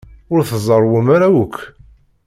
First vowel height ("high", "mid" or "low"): high